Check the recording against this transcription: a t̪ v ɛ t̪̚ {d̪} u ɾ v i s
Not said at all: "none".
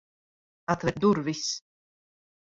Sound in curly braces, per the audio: d̪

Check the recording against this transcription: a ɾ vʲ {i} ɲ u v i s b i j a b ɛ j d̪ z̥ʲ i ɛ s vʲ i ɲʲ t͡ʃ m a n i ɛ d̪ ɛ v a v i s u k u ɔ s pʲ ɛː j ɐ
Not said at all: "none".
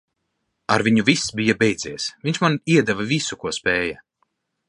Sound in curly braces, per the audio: i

